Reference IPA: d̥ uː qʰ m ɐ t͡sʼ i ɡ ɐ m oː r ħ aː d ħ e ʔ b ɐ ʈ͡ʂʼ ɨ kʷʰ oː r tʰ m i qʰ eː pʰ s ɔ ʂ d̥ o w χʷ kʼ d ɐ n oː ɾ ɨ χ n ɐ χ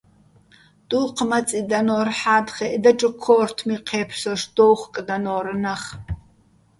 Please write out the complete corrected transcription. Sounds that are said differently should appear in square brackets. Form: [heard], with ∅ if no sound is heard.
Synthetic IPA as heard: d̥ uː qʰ m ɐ t͡sʼ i [d] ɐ [n] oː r ħ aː d [χ] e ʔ [d] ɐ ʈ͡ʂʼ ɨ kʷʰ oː r tʰ m i qʰ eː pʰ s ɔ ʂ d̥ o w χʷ kʼ d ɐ n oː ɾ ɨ [∅] n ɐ χ